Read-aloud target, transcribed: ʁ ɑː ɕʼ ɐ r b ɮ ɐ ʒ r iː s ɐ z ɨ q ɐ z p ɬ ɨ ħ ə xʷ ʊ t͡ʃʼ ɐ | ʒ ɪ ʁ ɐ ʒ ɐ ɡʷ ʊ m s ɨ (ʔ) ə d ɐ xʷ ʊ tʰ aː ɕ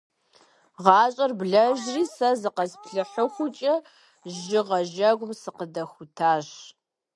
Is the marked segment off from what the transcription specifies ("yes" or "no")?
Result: yes